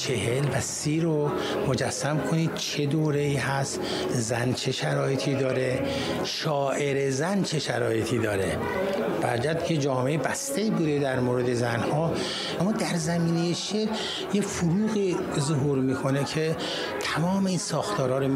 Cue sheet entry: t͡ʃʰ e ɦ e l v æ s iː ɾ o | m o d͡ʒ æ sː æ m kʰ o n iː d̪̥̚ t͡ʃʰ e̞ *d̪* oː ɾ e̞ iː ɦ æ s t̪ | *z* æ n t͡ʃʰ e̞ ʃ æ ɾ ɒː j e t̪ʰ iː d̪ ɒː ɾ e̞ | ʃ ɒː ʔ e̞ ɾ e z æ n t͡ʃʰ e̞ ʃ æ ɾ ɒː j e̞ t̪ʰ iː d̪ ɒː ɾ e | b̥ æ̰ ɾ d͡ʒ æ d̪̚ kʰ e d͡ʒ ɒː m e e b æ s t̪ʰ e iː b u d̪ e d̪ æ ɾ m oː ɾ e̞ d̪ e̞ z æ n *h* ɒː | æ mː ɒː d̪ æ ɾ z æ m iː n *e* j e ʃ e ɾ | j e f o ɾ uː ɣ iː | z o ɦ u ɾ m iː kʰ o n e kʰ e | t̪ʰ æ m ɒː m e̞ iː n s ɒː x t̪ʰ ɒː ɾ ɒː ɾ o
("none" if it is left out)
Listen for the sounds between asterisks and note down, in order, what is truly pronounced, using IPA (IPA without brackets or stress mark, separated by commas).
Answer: d̪, z, h, e